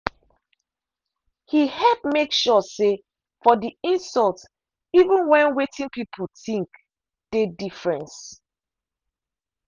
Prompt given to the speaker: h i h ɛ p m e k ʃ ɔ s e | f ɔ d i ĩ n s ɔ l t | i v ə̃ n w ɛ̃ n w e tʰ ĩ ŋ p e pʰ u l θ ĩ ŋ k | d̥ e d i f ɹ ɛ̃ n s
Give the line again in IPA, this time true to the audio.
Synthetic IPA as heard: h i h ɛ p m e k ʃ ɔ s e | f ɔ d i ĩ n s ɔ l t | i v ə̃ n w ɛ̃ n w e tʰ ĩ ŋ p i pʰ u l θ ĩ ŋ k | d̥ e d i f ɹ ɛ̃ n s